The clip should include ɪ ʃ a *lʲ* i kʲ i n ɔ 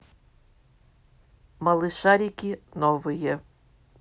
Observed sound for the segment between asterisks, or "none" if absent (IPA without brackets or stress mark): ɾʲ